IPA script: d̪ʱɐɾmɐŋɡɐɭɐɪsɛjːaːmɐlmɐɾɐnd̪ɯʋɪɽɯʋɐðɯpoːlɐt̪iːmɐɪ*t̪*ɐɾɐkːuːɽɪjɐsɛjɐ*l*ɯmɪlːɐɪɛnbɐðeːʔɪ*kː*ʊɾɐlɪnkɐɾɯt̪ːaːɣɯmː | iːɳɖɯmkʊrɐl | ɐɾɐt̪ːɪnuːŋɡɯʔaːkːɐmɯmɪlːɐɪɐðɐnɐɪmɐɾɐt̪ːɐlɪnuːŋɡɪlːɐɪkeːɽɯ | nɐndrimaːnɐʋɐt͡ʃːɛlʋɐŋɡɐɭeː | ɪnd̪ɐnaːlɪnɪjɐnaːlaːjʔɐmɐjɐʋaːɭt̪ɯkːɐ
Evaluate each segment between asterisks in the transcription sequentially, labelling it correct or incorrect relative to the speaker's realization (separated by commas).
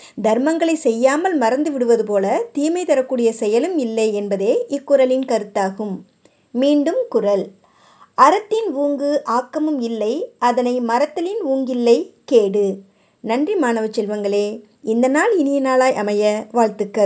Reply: correct, correct, correct